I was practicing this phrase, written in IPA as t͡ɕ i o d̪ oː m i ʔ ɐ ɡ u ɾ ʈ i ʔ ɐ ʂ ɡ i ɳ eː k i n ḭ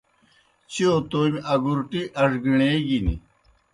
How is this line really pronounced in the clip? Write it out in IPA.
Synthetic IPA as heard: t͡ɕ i o t̪ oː m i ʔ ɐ ɡ u ɾ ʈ i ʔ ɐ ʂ ɡ i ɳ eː ɡ i n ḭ